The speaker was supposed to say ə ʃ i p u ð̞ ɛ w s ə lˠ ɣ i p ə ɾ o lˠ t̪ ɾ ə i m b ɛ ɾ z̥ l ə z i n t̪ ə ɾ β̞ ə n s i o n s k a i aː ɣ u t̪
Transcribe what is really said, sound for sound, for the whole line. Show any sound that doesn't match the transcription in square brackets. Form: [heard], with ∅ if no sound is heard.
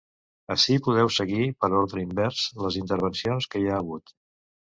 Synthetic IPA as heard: ə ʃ i p u ð̞ ɛ w s ə [∅] ɣ i p ə ɾ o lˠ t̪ ɾ ə i m b ɛ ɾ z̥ l ə z i n t̪ ə ɾ β̞ ə n s i o n s k [ə] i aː ɣ u t̪

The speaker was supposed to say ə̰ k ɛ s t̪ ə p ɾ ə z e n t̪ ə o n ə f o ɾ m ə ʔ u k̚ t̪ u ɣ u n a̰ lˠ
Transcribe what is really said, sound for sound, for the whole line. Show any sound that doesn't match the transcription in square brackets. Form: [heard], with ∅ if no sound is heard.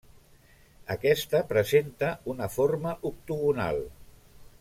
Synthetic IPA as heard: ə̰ k ɛ s t̪ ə p ɾ ə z e n t̪ ə [u] n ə f o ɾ m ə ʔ u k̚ t̪ u ɣ u n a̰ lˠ

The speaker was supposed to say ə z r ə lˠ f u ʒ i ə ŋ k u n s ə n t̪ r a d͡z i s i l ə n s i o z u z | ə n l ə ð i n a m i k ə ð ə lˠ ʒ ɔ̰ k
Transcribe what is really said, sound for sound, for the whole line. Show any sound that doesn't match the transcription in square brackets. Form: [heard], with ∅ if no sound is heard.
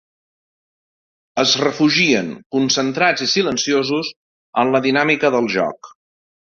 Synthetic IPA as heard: ə z r ə [∅] f u ʒ i ə ŋ k u n s ə n t̪ [ɾ] a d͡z i s i l ə n s i o z u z | ə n l ə ð i n a m i k ə ð ə lˠ ʒ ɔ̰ k

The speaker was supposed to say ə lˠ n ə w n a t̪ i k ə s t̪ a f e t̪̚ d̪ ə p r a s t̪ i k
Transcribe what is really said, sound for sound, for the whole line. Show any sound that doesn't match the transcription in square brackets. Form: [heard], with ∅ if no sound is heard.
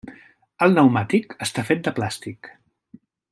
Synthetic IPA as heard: ə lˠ n ə w [m] a t̪ i k ə s t̪ a f e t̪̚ d̪ ə p [l] a s t̪ i k

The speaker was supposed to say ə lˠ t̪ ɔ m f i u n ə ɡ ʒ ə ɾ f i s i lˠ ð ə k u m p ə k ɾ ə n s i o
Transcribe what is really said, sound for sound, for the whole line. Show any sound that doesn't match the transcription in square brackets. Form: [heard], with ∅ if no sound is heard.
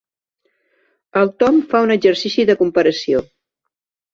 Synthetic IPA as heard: ə lˠ t̪ ɔ m f [a] u n ə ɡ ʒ ə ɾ [s] i s i [∅] ð ə k u m p ə [∅] ɾ ə [∅] s i o

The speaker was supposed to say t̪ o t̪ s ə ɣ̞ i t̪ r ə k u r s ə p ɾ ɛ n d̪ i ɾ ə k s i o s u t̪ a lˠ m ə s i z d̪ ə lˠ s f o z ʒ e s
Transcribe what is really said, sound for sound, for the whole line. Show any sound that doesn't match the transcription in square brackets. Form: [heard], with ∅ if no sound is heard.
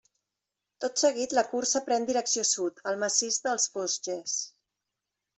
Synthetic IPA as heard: t̪ o t̪ s ə ɣ̞ i t̪ [l] ə k u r s ə p ɾ ɛ n d̪ i ɾ ə k s i o s u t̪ [ə] lˠ m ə s i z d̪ ə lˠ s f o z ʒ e s

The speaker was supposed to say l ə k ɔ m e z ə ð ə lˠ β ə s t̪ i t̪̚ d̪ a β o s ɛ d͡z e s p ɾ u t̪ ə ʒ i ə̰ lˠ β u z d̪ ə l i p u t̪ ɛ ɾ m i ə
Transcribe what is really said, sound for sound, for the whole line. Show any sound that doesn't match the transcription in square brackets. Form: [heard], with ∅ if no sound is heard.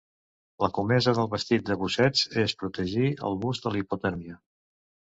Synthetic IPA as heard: l ə k [u] m [ɛ] z ə ð ə lˠ β ə s t̪ i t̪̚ d̪ [ə] β [u] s ɛ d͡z e s p ɾ u t̪ ə ʒ i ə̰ lˠ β u z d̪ ə l i p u t̪ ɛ ɾ m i ə

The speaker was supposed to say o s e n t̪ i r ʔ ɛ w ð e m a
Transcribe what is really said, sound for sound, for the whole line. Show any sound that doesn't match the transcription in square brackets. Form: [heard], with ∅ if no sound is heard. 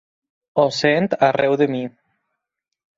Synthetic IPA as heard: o s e n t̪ [a] r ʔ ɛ w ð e m [i]

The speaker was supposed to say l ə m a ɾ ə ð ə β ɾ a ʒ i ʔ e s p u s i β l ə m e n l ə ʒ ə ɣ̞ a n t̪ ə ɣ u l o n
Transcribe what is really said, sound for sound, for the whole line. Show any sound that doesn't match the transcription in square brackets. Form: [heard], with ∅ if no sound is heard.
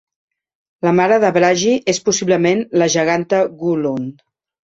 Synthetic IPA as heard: l ə m a ɾ ə ð ə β ɾ a ʒ i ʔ e s p u s i β l ə m e n l ə ʒ ə ɣ̞ a n t̪ ə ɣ u l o n

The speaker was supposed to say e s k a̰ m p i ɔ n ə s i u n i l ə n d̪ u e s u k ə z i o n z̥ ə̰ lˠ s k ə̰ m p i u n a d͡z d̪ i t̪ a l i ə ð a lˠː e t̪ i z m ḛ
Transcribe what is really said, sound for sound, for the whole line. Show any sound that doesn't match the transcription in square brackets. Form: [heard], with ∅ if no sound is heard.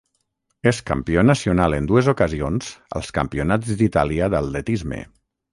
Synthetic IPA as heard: e s k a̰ m p i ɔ n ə s i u n [a] l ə n d̪ u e [z] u k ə z i o n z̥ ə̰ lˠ s k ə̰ m p i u n a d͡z d̪ i t̪ a l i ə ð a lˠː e t̪ i z m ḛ

